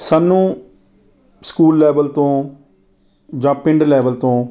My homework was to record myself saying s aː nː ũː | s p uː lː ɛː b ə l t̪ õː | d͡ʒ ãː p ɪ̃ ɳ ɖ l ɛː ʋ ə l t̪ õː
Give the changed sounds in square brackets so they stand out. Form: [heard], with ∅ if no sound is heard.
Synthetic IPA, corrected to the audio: s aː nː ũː | s [k] uː lː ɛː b ə l t̪ õː | d͡ʒ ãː p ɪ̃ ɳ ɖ l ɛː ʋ ə l t̪ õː